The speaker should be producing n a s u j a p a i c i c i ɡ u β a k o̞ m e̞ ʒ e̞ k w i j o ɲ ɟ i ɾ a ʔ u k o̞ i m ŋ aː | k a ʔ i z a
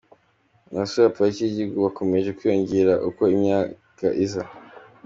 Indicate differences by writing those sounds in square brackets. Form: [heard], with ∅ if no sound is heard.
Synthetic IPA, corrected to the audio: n a s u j a p a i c i [ɟ] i ɡ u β a k o̞ m e̞ ʒ e̞ k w i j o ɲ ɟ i ɾ a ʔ u k o̞ i m [ɲ] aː | k a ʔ i z a